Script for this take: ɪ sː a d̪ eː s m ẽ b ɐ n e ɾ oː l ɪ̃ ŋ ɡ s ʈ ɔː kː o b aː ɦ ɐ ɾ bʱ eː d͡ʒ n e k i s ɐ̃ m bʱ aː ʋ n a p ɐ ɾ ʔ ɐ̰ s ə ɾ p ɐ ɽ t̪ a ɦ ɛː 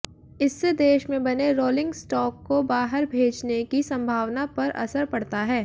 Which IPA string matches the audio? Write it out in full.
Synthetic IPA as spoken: ɪ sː e d̪ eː ʃ m ẽ b ɐ n e ɾ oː l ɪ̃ ŋ ɡ s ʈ ɔː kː o b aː ɦ ə ɾ bʱ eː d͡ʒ n e k i s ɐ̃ m bʱ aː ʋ n a p ɐ ɾ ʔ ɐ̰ s ə ɾ p ɐ ɽ t̪ a ɦ ɛː